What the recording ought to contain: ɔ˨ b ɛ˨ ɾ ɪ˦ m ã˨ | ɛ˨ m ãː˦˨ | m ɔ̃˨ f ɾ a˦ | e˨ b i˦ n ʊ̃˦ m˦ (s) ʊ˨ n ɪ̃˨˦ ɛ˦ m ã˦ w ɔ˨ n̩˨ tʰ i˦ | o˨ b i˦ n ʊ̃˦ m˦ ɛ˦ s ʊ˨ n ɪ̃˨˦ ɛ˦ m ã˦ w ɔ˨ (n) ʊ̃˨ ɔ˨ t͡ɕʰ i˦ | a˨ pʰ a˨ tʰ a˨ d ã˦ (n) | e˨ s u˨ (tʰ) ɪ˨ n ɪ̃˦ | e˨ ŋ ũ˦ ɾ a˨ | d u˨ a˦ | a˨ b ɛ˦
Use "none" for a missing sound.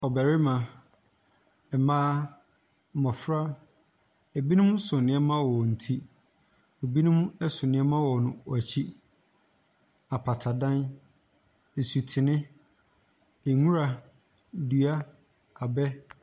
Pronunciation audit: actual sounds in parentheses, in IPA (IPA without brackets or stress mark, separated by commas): s, n, n, tʰ